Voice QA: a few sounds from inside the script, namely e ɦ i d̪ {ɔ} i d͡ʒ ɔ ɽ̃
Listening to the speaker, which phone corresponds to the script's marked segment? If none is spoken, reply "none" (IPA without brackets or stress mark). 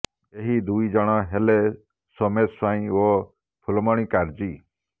u